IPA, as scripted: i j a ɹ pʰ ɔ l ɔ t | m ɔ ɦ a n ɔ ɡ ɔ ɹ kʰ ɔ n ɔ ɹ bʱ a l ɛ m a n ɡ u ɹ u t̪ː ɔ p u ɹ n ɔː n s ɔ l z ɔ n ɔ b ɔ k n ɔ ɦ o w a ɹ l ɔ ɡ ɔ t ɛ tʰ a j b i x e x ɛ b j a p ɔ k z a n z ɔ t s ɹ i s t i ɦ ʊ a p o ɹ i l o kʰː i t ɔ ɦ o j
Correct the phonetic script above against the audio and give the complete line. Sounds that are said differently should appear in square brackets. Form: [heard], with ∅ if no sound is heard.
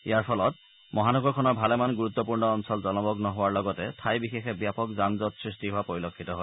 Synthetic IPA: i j a ɹ pʰ ɔ l ɔ t | m ɔ ɦ a n ɔ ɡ ɔ ɹ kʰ ɔ n ɔ ɹ bʱ a l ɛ m a n ɡ u ɹ u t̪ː ɔ p u ɹ n ɔː n s ɔ l z ɔ n ɔ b ɔ k n ɔ ɦ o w a ɹ l ɔ ɡ ɔ t ɛ tʰ a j b i x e x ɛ b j a p ɔ k z a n z ɔ t s ɹ i s t i ɦ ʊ a p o ɹ i l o kʰː i t ɔ ɦ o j